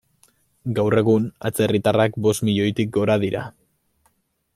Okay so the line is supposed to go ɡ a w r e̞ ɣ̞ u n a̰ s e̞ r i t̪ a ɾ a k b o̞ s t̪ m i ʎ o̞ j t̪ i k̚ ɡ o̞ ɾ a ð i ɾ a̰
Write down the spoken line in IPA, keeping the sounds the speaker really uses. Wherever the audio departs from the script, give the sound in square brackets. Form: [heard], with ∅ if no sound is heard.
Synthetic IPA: ɡ a w r e̞ ɣ̞ u n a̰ [t͡s] e̞ r i t̪ a [r] a k b o̞ s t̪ m i ʎ o̞ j t̪ i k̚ ɡ o̞ ɾ a ð i ɾ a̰